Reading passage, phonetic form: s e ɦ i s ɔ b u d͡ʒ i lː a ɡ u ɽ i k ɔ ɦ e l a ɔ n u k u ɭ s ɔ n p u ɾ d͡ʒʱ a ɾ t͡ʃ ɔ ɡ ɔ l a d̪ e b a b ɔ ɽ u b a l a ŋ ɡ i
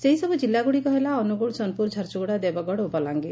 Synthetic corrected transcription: s e ɦ i s ɔ b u d͡ʒ i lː a ɡ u ɽ i k ɔ ɦ e l a ɔ n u ɡ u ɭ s ɔ n p u ɾ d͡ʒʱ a ɾ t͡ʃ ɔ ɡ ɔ ɽ a d̪ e b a ɡ ɔ ɽ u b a l a ŋ ɡ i